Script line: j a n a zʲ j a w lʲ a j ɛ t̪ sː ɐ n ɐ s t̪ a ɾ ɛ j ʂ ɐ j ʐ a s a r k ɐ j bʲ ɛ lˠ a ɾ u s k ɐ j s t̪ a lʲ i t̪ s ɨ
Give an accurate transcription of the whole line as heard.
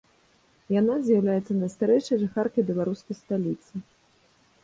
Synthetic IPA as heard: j a n a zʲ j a w lʲ a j ɛ t̪ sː ɐ n ɐ s t̪ a ɾ ɛ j ʂ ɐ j ʐ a x a r k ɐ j bʲ ɛ lˠ a ɾ u s k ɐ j s t̪ a lʲ i t̪ s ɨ